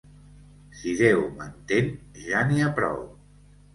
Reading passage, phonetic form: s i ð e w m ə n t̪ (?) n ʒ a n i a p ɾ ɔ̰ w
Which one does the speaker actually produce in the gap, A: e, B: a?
A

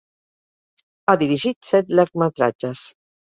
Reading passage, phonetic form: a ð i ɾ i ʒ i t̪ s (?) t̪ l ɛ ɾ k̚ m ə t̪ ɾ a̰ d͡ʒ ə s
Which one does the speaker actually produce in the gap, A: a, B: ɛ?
B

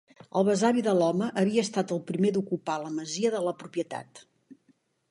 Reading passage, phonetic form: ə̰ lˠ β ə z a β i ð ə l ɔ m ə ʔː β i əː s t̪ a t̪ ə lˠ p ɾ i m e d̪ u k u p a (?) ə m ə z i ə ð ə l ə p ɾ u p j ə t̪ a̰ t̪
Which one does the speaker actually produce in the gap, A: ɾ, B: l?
B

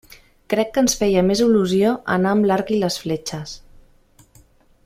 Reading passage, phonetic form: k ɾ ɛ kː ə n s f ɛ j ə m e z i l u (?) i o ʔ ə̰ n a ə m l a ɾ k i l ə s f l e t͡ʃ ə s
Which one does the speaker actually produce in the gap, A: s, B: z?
B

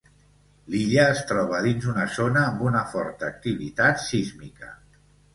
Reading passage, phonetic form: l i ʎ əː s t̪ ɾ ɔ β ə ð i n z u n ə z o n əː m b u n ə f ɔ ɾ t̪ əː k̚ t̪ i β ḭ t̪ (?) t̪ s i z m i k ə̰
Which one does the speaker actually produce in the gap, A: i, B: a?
B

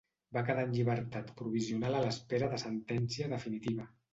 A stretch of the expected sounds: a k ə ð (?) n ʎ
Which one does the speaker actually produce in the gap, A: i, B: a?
B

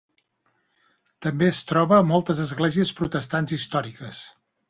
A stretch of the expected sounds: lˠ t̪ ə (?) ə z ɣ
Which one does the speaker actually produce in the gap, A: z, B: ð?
A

